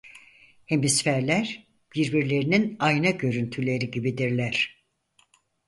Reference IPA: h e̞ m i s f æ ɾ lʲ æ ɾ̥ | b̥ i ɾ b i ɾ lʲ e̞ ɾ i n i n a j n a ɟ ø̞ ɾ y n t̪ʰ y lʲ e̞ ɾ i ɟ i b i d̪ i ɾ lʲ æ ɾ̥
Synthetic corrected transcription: h e̞ m i s f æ ɾ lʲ æ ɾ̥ | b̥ i ɾ b i ɾ lʲ e̞ ɾ i n i n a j n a ɟ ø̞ ɾ y n t̪ʰ y lʲ e̞ ɾ i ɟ i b i d̪ i ɾ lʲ æ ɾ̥